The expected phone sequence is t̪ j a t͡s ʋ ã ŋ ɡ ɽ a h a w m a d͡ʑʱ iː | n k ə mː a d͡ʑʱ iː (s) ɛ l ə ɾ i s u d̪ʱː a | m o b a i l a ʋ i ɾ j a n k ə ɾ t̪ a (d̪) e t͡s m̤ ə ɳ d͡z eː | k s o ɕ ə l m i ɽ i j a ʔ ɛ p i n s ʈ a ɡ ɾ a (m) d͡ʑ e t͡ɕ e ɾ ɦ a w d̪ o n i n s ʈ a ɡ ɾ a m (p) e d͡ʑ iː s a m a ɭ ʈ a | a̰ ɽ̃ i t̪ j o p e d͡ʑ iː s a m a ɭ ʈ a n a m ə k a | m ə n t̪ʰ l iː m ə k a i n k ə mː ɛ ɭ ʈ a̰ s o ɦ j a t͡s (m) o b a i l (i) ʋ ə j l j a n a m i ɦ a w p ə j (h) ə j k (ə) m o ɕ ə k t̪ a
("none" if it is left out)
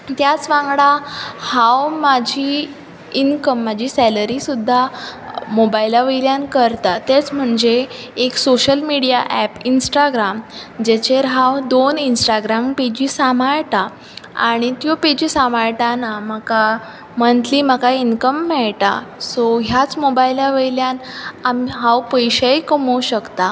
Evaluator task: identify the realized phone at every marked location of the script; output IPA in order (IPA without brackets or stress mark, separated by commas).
s, t̪, m, p, m, a, ɕ, ə